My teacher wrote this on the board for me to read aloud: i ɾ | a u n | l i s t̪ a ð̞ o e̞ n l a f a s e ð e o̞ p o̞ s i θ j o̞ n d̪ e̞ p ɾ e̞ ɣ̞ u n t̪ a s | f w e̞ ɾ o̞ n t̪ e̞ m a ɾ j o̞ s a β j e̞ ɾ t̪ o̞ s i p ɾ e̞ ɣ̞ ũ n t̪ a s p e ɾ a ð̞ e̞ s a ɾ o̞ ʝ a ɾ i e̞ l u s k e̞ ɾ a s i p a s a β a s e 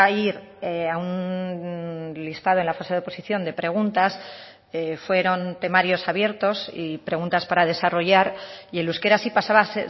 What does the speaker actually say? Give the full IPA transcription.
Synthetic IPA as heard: i ɾ | a u n | l i s t̪ a ð̞ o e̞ n l a f a s e ð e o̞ p o̞ s i θ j o̞ n d̪ e̞ p ɾ e̞ ɣ̞ u n t̪ a s | f w e̞ ɾ o̞ n t̪ e̞ m a ɾ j o̞ s a β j e̞ ɾ t̪ o̞ s i p ɾ e̞ ɣ̞ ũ n t̪ a s p a ɾ a ð̞ e̞ s a r o̞ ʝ a ɾ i e̞ l u s k e̞ ɾ a s i p a s a β a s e